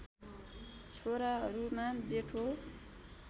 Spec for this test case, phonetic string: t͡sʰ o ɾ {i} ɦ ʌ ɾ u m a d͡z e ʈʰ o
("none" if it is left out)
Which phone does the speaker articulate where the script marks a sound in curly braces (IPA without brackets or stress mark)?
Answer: a